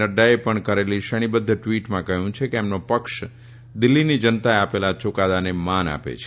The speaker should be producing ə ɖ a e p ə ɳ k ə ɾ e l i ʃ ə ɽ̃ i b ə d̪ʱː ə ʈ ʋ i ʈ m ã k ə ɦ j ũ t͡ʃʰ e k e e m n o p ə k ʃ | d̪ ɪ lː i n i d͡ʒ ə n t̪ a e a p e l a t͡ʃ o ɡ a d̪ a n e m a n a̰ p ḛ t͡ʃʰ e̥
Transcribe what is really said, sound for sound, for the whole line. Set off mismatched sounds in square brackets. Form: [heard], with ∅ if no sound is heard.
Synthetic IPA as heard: ə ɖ a e p ə ɳ k ə ɾ e l i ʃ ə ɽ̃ i b ə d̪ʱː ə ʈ ʋ i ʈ m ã k ə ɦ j ũ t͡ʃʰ e k e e m n o p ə k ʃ | d̪ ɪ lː i n i d͡ʒ ə n t̪ a e a p e l a t͡ʃ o [k] a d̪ a n e m a n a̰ p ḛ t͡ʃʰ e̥